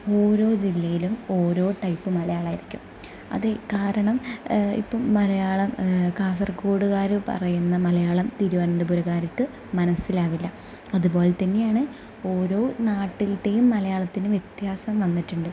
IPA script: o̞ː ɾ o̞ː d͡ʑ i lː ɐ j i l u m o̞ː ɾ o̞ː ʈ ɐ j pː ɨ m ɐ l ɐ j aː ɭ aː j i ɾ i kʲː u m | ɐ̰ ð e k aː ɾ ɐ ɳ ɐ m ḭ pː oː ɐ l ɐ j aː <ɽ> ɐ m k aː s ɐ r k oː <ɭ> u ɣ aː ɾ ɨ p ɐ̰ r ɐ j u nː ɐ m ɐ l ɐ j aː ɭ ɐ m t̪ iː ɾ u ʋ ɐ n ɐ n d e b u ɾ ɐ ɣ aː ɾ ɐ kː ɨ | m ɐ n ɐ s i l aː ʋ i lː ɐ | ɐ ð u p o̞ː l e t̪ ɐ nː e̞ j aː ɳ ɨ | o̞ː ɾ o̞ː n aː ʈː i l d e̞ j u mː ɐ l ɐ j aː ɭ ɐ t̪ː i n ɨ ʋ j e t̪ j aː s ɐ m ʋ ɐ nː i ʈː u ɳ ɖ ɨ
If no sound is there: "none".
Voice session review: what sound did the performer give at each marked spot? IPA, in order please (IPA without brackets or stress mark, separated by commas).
ɭ, ɽ